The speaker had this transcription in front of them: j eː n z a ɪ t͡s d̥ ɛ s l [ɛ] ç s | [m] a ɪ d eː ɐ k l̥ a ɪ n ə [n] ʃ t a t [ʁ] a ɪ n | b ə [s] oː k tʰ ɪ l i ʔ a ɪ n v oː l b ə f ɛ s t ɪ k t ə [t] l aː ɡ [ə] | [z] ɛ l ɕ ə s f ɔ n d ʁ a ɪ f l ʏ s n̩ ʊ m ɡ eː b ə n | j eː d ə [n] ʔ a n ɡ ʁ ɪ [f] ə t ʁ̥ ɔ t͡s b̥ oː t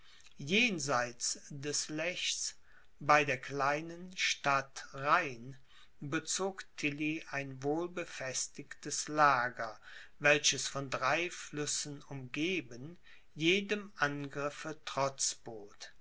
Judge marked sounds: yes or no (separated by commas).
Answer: yes, no, yes, yes, no, no, no, no, no, yes